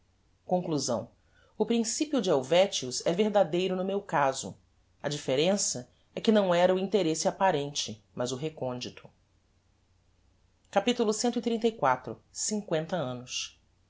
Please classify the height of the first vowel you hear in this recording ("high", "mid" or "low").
mid